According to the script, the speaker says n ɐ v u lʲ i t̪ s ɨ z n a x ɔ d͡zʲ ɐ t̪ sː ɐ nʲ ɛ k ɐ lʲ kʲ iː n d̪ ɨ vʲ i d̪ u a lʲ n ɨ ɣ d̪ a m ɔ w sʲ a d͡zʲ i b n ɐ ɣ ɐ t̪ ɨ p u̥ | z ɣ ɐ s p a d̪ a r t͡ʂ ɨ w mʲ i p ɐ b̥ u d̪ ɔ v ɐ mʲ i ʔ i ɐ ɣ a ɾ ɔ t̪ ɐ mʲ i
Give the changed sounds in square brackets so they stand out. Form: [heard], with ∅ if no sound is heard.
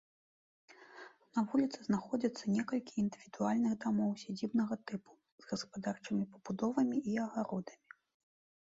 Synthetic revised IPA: n ɐ v u lʲ i t̪ s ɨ z n a x ɔ d͡zʲ ɐ t̪ sː ɐ nʲ ɛ k ɐ lʲ kʲ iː n d̪ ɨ vʲ i d̪ u a lʲ n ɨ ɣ d̪ a m ɔ w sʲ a d͡zʲ i b n ɐ ɣ ɐ t̪ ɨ p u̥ | z ɣ ɐ s p a d̪ a r t͡ʂ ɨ [∅] mʲ i p ɐ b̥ u d̪ ɔ v ɐ mʲ i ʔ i ɐ ɣ a ɾ ɔ [d̪] ɐ mʲ i